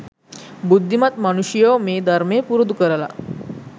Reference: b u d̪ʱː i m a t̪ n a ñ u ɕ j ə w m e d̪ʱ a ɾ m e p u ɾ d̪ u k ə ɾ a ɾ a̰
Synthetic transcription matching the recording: b u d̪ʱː i m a t̪ m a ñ u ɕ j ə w m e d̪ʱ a ɾ m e p u ɾ d̪ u k ə ɾ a l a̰